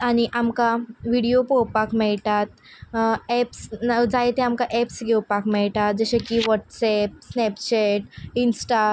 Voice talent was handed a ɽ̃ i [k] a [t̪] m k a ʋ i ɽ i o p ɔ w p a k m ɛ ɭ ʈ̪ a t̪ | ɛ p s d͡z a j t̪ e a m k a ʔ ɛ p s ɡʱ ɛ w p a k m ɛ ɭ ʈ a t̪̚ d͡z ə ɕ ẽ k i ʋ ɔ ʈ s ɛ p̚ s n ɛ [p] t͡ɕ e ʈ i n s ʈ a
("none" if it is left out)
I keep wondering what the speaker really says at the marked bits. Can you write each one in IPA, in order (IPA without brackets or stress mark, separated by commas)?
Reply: ʔ, none, p